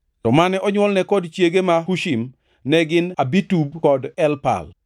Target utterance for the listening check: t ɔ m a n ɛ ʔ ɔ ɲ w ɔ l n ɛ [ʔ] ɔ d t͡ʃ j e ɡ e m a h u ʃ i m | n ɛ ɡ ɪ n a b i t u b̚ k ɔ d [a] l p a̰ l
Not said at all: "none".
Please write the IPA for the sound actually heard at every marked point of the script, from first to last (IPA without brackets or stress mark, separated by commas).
k, ɛ